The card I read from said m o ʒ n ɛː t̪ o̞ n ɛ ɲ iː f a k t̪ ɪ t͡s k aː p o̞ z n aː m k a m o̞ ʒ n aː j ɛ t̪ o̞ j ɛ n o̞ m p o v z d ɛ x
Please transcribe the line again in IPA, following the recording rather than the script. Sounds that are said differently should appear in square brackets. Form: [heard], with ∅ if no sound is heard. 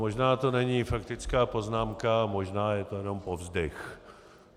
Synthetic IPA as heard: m o ʒ n [aː] t̪ o̞ n ɛ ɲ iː f a k t̪ ɪ t͡s k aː p o̞ z n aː m k a m o̞ ʒ n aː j ɛ t̪ o̞ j ɛ n o̞ m p o v z d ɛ x